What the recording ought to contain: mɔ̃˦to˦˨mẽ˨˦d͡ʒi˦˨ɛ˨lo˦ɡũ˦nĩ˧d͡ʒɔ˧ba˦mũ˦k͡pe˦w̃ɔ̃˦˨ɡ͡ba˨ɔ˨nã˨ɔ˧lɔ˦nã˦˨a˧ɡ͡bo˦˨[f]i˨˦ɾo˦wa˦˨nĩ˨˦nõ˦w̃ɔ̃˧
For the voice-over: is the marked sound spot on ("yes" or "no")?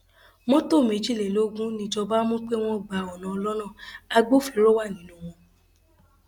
yes